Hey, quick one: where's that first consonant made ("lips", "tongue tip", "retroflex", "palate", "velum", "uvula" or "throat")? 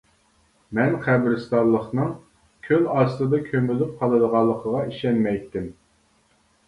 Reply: lips